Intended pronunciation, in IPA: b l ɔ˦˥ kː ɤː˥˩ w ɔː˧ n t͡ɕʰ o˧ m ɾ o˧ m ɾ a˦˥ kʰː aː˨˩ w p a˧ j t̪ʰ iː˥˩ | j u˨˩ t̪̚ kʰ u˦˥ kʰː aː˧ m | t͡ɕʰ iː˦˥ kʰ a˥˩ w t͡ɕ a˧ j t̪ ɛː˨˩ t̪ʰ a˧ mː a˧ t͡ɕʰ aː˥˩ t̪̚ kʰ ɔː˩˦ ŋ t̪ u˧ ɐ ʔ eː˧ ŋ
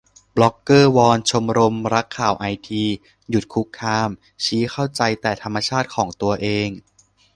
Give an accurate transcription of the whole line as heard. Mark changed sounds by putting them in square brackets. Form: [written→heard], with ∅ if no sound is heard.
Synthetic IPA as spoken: b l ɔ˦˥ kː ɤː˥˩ w ɔː˧ n t͡ɕʰ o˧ m ɾ o˧ m ɾ a˦˥ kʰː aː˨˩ w [p→ʔ] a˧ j t̪ʰ [iː˥˩→iː˧] | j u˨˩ t̪̚ kʰ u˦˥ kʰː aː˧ m | t͡ɕʰ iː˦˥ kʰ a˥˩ w t͡ɕ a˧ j t̪ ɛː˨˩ t̪ʰ a˧ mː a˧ t͡ɕʰ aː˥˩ t̪̚ kʰ ɔː˩˦ ŋ t̪ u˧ ɐ ʔ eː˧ ŋ